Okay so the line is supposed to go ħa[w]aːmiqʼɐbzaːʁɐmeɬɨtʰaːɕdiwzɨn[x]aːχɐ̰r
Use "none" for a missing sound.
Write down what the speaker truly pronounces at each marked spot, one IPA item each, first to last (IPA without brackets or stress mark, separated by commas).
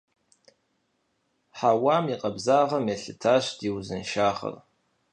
w, ʃ